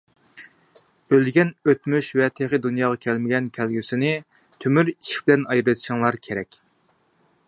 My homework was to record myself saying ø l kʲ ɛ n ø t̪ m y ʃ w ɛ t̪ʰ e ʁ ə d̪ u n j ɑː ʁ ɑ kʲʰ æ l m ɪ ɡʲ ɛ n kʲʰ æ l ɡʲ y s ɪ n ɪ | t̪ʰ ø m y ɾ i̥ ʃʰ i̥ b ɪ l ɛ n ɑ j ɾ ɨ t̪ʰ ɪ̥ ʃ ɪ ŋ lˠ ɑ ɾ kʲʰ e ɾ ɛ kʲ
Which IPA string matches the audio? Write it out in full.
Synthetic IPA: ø l ɡʲ ɛ n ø t̪ m y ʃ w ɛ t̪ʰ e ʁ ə d̪ u n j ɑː ʁ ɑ kʲʰ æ l m ɪ ɡʲ ɛ n kʲʰ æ l ɡʲ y s ɪ n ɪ | t̪ʰ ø m y ɾ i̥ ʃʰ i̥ b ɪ l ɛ n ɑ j ɾ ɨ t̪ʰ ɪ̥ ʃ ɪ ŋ lˠ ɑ ɾ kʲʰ e ɾ ɛ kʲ